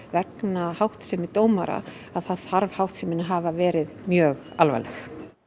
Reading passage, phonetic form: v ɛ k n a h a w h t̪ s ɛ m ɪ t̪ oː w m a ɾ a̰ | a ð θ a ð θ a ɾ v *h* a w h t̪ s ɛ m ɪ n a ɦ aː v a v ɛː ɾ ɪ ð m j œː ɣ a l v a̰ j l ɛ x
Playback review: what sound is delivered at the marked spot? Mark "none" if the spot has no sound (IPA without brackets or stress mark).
h